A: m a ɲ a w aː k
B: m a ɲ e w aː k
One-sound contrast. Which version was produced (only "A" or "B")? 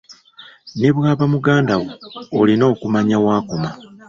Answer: A